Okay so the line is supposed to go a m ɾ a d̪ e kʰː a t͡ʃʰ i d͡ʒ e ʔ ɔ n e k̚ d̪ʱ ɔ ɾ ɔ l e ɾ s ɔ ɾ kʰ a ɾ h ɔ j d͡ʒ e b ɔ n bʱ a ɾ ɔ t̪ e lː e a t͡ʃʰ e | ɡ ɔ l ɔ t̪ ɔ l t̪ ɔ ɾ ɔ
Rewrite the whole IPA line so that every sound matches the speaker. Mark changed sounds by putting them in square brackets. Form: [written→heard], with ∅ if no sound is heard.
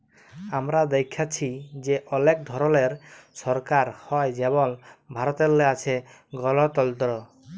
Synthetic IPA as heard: a m ɾ a d̪ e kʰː a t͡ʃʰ i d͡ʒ e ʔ ɔ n e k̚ d̪ʱ ɔ ɾ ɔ l e ɾ s ɔ ɾ [kʰ→k] a ɾ h ɔ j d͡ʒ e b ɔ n bʱ a ɾ ɔ t̪ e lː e a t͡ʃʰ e | ɡ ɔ l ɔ t̪ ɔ l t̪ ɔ ɾ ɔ